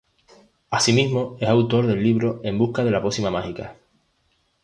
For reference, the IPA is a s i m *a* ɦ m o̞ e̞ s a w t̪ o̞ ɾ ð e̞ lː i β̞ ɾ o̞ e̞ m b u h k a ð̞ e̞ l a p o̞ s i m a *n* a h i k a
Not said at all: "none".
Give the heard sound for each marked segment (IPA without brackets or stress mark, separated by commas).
i, m